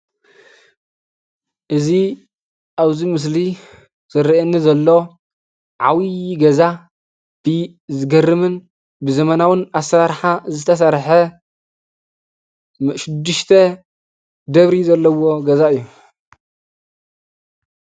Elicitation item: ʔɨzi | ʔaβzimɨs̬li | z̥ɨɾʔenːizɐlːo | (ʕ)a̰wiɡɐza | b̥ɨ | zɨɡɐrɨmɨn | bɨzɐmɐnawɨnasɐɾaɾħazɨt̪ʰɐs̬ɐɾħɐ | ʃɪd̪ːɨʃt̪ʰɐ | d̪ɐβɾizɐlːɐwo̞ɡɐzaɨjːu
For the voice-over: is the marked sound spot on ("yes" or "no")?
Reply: yes